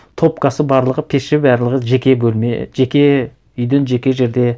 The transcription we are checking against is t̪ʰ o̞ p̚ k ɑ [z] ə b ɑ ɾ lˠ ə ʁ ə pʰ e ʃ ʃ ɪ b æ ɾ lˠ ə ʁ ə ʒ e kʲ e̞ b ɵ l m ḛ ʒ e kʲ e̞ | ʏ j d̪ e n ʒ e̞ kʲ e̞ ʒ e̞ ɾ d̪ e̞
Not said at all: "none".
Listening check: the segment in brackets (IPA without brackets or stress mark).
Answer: s